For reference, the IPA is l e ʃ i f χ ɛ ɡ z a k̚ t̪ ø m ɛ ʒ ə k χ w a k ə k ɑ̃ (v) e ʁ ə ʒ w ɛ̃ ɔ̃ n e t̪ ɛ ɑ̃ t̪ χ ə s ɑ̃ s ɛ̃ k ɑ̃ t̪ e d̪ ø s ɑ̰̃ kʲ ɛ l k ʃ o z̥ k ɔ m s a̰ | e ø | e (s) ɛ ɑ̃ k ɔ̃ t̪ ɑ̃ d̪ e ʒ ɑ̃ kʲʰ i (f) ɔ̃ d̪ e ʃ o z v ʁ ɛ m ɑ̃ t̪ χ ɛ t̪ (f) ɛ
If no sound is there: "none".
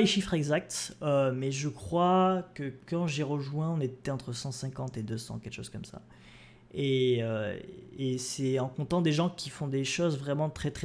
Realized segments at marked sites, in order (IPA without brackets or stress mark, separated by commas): ʒ, s, f, χ